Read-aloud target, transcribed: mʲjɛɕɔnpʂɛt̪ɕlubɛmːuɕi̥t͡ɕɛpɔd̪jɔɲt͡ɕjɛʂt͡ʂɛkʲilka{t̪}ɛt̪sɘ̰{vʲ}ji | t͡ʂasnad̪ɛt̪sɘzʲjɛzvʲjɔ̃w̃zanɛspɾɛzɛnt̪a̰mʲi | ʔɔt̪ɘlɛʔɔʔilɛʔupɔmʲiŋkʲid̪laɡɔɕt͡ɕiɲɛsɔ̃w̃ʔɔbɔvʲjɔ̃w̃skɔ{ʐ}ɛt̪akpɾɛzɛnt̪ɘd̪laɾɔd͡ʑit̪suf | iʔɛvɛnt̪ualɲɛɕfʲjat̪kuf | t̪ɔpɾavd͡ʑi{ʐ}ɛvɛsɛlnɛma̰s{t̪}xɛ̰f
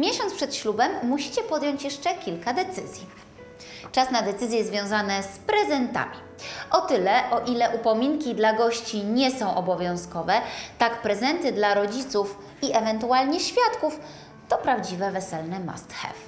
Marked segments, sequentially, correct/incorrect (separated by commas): incorrect, incorrect, incorrect, incorrect, correct